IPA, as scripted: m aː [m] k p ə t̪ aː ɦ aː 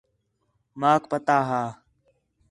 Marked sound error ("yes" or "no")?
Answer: yes